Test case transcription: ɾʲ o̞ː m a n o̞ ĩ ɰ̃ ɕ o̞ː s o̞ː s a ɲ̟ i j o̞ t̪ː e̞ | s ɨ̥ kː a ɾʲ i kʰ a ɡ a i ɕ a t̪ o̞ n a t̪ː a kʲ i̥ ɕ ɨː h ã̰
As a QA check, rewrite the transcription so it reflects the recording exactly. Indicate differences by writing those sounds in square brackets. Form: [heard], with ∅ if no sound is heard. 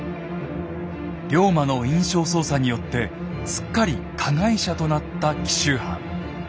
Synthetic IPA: ɾʲ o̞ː m a n o̞ ĩ ɰ̃ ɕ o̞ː s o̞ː s a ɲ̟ i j o̞ t̪ː e̞ | s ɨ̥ kː a ɾʲ i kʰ a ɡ a i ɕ a t̪ o̞ n a t̪ː a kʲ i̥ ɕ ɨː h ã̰